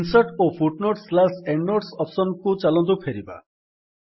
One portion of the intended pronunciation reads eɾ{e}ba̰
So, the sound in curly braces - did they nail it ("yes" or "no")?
no